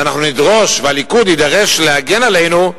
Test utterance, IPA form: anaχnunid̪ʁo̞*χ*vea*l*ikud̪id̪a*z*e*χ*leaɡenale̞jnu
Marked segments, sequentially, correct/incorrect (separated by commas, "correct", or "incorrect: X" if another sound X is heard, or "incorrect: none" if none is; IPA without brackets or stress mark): incorrect: ʃ, correct, incorrect: ʁ, incorrect: ʃ